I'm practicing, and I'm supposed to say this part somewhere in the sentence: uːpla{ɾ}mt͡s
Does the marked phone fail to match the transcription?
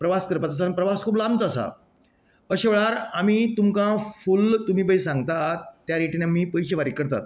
yes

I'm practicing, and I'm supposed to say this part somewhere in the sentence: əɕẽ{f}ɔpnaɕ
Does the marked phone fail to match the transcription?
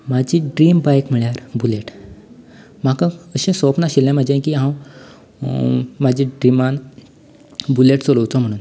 yes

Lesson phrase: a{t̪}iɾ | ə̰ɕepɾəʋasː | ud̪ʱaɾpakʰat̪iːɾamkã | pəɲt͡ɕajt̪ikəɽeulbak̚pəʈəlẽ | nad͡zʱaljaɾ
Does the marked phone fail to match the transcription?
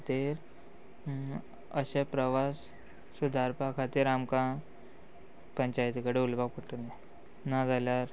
no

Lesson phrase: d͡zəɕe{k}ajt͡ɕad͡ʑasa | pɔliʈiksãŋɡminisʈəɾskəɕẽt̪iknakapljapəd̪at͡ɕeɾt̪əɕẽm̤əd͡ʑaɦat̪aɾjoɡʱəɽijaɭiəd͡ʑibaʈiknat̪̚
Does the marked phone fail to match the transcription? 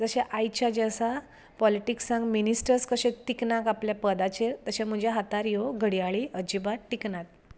yes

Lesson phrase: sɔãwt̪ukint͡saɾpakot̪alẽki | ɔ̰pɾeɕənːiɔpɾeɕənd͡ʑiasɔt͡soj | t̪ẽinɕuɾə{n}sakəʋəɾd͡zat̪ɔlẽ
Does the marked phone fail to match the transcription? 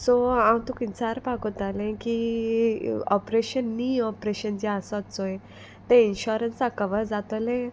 no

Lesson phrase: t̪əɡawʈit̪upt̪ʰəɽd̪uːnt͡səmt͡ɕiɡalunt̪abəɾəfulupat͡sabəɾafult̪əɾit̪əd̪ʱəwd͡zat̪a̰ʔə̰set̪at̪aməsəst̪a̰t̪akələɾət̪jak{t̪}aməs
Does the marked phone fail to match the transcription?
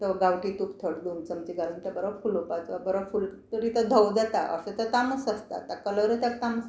no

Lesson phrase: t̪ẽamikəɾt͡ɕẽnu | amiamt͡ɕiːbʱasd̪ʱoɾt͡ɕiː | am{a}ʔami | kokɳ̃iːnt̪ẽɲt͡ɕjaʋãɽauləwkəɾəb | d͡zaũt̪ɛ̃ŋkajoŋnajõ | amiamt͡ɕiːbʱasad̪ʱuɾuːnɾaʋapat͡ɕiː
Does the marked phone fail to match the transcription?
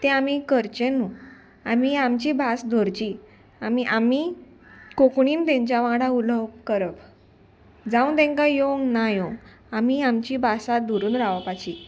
yes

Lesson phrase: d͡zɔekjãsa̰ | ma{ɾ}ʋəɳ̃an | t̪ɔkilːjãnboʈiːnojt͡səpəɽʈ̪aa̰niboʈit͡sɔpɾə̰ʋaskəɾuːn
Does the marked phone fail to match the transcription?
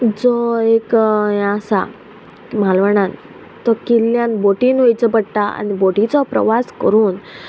yes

